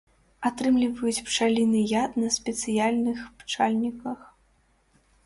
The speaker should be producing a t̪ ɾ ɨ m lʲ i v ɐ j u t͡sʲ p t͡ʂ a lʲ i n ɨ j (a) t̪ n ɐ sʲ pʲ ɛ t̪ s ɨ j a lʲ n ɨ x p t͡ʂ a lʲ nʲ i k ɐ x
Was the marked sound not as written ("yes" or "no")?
no